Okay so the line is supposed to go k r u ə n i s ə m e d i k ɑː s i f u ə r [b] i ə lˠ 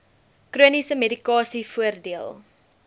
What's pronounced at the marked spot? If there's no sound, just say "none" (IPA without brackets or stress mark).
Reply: d